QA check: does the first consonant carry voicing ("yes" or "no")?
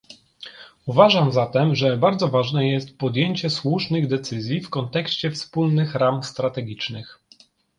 yes